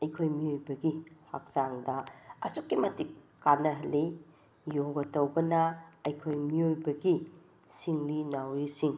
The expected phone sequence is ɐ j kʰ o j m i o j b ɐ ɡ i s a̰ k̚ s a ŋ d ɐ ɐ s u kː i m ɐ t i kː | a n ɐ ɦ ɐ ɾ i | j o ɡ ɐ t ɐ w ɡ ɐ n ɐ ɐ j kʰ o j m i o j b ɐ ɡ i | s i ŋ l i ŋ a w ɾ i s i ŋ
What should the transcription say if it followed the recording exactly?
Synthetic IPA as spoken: ɐ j kʰ o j m i o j b ɐ ɡ i h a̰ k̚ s a ŋ d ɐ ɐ s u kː i m ɐ t i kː | a n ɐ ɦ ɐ l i | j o ɡ ɐ t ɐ w ɡ ɐ n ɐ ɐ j kʰ o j m i o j b ɐ ɡ i | s i ŋ l i n a w ɾ i s i ŋ